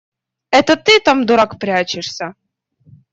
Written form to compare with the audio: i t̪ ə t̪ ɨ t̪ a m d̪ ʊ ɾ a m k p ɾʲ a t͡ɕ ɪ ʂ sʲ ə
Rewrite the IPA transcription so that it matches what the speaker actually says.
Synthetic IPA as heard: ɛ t̪ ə t̪ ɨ t̪ a m d̪ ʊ ɾ a k p ɾʲ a t͡ɕ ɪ ʂ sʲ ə